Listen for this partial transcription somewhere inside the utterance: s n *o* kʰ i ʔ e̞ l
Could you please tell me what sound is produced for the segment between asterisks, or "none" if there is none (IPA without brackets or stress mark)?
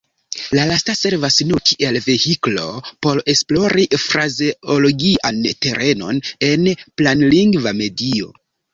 u